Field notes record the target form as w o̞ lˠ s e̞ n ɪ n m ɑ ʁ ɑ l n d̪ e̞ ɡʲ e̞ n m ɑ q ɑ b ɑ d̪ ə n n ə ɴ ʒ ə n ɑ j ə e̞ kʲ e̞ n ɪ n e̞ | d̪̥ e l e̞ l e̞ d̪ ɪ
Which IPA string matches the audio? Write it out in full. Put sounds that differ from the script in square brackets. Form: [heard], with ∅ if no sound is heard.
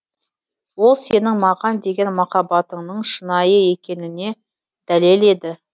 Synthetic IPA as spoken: w o̞ lˠ s e̞ n ɪ [ŋ] m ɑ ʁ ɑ [∅] n d̪ e̞ ɡʲ e̞ n m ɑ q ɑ b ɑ [t̪] ə [ɴ] n ə ɴ [ʃ] ə n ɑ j ə e̞ kʲ e̞ n ɪ n e̞ | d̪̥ [æ] l e̞ l e̞ d̪ ɪ